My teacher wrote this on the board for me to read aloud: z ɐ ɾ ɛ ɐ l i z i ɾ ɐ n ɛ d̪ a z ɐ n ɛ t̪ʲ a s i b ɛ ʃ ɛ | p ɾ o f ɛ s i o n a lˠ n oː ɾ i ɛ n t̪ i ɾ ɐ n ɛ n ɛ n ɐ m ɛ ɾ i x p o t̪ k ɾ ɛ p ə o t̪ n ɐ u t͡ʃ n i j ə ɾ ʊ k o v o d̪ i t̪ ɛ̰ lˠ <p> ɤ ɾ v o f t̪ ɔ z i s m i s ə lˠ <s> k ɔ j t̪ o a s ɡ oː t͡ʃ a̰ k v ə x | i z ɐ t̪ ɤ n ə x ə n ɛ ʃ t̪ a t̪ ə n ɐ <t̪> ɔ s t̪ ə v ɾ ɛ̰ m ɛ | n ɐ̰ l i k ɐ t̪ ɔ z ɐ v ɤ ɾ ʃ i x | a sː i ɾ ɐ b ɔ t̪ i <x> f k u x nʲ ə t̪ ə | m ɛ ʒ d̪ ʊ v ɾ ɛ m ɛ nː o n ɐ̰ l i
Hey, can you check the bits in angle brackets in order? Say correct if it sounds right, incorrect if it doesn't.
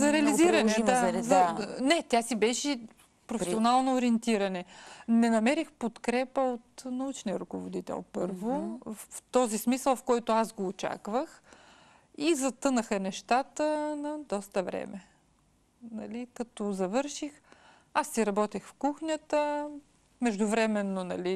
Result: correct, incorrect: f, incorrect: d̪, correct

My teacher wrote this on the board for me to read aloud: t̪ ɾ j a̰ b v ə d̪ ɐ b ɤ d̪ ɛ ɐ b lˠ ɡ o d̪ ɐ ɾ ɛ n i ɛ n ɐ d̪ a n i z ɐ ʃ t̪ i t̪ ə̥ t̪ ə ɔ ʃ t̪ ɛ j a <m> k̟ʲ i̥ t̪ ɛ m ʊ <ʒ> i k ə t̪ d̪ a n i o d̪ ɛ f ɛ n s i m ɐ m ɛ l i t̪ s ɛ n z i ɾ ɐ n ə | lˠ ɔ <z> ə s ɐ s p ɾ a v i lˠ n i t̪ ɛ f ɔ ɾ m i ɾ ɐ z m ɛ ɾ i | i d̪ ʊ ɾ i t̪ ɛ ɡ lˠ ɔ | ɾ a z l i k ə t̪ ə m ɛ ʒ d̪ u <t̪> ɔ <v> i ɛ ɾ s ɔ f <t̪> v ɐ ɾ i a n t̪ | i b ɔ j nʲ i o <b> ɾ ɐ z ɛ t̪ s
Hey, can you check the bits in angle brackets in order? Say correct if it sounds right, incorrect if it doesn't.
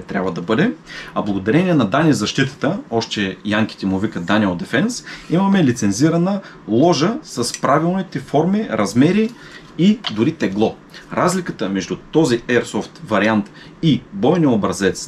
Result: incorrect: ŋ, incorrect: v, incorrect: ʒ, correct, incorrect: z, correct, correct

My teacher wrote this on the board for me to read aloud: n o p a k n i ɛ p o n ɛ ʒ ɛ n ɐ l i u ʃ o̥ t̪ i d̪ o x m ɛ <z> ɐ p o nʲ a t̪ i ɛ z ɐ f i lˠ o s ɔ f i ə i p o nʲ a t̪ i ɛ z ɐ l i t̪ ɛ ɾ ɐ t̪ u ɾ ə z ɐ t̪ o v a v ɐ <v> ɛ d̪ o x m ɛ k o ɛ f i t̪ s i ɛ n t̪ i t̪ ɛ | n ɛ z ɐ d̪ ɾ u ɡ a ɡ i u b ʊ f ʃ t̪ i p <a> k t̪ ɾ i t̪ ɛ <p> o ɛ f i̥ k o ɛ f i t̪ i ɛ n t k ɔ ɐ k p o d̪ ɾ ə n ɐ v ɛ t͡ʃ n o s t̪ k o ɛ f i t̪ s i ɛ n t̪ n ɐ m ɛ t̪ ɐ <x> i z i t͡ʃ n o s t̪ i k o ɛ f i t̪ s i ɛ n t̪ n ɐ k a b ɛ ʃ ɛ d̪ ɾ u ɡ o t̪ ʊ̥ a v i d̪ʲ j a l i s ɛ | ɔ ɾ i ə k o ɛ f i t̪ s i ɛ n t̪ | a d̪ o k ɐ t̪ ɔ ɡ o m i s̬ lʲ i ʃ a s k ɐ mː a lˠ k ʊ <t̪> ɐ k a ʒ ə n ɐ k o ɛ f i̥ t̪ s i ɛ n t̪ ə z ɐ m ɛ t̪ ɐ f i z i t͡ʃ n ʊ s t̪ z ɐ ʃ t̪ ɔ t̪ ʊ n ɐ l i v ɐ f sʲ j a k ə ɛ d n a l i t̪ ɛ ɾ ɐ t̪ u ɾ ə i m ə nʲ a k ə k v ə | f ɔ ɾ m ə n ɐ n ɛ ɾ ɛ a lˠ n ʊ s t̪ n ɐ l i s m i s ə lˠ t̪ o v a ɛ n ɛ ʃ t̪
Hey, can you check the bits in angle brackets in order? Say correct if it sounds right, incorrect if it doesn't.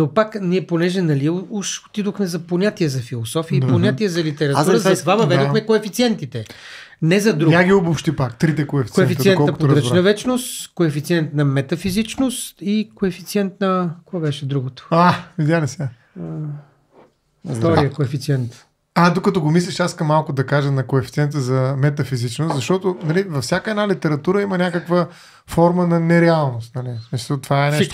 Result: correct, correct, correct, incorrect: k, incorrect: f, incorrect: d̪

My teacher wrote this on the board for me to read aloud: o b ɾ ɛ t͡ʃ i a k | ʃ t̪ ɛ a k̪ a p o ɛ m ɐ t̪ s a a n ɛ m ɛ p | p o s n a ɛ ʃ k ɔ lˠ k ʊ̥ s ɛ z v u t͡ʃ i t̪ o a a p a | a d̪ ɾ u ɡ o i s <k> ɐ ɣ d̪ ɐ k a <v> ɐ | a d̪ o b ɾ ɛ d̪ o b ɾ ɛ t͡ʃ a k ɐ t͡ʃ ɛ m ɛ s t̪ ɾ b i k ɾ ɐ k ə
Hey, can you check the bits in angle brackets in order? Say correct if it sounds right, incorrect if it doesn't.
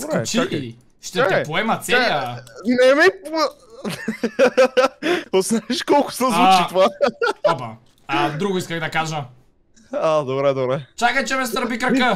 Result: correct, incorrect: ʒ

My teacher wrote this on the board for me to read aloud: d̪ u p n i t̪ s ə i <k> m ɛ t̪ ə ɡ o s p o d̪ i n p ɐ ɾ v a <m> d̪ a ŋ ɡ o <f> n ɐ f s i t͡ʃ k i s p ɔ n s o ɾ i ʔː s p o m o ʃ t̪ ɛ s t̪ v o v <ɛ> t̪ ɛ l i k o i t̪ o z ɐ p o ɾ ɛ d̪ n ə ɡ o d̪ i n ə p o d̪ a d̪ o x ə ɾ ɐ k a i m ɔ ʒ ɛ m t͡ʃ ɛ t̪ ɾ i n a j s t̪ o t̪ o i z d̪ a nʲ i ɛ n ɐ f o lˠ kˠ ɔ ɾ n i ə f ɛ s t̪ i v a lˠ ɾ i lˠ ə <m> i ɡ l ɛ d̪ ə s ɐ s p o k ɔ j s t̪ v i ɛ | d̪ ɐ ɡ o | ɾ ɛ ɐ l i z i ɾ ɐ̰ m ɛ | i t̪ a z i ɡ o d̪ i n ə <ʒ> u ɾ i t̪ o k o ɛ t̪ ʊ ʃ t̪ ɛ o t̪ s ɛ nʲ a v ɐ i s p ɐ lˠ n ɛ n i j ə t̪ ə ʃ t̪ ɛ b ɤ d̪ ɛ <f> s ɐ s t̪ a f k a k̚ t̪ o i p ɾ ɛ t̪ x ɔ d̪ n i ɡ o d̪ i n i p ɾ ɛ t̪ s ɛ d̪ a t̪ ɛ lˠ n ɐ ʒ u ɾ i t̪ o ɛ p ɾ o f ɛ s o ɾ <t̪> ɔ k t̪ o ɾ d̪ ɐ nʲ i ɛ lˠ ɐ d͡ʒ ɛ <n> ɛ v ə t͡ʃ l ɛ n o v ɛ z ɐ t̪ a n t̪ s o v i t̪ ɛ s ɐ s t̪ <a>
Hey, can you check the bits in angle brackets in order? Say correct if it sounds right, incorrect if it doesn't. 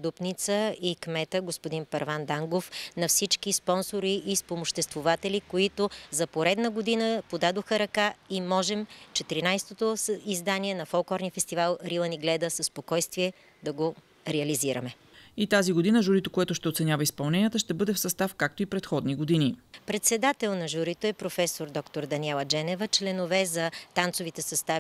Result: correct, incorrect: n, correct, incorrect: a, incorrect: n, correct, correct, incorrect: d̪, correct, correct

